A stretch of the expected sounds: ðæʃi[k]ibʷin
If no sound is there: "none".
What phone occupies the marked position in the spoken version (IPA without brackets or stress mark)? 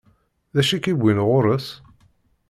k